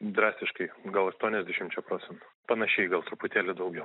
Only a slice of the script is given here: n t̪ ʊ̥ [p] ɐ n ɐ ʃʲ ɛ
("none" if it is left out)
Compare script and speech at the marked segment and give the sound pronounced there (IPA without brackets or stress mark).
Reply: p